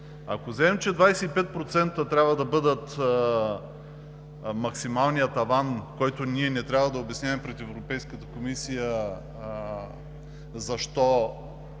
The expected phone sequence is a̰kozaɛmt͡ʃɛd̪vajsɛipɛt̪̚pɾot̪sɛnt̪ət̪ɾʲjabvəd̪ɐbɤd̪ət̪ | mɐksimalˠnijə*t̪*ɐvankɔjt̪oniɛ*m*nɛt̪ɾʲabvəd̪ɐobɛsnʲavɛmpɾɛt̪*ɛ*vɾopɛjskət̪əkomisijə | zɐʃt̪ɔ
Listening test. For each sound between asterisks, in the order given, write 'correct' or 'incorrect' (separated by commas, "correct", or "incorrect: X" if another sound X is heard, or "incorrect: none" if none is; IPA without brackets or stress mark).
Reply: correct, incorrect: none, correct